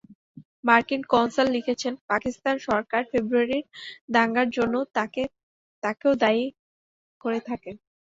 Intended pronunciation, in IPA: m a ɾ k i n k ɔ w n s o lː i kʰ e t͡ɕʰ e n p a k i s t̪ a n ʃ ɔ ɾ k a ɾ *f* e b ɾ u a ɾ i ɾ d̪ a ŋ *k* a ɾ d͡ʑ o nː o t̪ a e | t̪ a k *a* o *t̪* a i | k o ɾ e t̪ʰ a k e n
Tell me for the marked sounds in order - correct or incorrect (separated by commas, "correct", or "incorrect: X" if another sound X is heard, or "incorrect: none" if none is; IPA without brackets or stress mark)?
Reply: correct, incorrect: ɡ, incorrect: e, incorrect: d̪